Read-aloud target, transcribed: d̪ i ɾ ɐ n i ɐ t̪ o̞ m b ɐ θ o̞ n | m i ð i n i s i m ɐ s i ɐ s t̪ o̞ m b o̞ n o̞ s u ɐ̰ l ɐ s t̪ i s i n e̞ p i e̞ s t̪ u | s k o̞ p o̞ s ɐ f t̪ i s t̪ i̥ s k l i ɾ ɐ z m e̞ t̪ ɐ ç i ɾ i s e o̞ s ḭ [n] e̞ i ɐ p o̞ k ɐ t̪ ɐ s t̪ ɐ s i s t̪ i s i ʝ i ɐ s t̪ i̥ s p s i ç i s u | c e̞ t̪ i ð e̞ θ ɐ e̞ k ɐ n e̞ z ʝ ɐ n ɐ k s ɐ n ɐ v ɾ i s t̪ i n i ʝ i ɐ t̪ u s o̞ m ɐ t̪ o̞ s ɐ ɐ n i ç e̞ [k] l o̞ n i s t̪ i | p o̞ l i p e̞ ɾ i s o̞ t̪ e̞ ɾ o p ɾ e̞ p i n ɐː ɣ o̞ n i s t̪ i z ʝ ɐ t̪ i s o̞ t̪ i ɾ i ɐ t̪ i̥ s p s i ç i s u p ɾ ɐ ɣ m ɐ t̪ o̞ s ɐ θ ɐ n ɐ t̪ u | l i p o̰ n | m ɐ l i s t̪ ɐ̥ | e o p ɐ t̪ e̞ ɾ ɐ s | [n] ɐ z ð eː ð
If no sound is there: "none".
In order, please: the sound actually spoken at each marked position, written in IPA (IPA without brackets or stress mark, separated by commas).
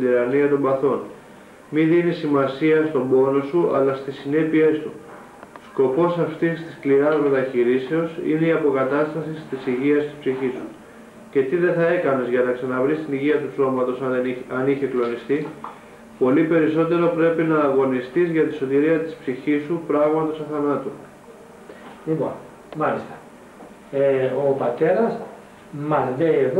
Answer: n, k, m